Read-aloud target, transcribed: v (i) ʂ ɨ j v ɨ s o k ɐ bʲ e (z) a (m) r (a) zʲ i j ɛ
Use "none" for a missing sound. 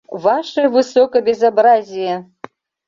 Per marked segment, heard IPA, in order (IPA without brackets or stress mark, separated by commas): a, z, b, a